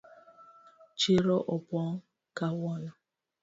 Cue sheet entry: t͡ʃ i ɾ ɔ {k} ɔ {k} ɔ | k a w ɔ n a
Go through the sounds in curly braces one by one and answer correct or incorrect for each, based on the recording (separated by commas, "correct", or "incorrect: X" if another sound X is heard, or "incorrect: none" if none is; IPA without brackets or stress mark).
incorrect: ʔ, incorrect: p